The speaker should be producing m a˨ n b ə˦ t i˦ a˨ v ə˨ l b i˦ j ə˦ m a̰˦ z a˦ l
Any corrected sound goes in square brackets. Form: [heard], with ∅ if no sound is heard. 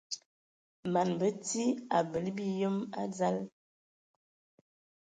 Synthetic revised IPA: m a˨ n b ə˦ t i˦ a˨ [b] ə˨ l b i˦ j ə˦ m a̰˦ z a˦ l